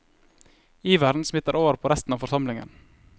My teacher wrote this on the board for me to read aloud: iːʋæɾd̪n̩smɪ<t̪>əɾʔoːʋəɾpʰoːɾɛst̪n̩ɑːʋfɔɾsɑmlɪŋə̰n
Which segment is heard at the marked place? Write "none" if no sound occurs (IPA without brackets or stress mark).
t̪